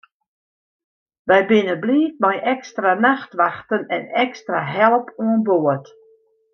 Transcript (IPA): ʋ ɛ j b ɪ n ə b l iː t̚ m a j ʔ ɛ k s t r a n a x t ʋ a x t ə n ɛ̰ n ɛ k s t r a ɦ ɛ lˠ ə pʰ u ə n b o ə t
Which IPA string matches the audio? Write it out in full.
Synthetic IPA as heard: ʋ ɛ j b ɪ n ə b l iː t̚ m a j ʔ ɛ k s t r a n a x t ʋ a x t ə n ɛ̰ n ɛ k s t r a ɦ ɛ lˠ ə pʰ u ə n b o ə t